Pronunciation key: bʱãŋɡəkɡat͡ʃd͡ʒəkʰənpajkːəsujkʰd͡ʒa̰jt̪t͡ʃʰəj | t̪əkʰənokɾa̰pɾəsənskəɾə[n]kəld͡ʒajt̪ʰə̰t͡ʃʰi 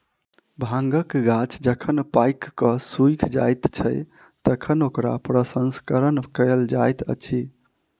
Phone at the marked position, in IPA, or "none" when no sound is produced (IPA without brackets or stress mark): n